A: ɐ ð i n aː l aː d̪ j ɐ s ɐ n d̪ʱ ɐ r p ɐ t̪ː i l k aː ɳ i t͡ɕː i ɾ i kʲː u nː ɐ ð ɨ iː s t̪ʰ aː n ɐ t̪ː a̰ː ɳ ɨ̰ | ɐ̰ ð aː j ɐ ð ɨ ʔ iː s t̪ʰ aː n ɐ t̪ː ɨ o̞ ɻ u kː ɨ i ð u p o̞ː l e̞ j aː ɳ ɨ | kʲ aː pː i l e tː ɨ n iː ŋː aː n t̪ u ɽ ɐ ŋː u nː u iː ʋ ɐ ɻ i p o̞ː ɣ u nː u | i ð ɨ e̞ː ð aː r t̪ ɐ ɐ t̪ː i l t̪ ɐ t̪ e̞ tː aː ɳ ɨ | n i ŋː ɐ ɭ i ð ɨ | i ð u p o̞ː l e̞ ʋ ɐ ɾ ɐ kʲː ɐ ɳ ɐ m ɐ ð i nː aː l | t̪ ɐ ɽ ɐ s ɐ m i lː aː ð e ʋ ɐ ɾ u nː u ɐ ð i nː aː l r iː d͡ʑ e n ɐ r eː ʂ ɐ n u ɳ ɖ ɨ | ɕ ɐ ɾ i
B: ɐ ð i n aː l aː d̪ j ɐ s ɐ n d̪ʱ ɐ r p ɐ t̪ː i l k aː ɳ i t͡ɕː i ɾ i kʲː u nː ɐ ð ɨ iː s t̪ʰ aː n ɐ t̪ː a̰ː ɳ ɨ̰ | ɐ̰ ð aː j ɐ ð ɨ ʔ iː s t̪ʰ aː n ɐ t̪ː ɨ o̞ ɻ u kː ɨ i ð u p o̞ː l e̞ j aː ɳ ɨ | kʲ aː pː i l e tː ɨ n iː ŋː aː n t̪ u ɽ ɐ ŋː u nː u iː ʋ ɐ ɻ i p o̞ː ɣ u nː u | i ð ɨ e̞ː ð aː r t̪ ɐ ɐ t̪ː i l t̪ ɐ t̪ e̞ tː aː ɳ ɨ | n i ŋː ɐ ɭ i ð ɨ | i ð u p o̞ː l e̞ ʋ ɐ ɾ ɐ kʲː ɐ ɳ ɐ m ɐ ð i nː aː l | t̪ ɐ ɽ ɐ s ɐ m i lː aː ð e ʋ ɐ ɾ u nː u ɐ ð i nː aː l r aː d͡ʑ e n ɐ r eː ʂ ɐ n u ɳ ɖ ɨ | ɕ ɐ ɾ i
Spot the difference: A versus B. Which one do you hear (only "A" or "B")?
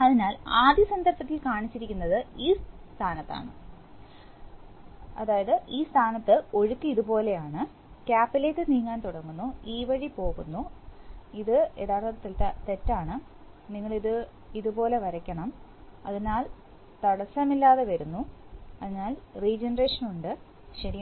A